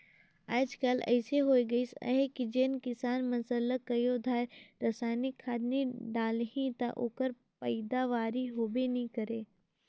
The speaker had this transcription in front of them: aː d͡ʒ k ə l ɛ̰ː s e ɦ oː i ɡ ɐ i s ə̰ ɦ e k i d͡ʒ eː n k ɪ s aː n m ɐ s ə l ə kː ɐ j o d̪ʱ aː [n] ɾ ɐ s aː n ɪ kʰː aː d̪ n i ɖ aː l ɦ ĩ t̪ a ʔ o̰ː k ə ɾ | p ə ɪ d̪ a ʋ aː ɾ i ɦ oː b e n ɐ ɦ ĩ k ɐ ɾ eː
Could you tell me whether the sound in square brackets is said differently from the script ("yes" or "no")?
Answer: yes